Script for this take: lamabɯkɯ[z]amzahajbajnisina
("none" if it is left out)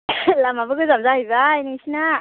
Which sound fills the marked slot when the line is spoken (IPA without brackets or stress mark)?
z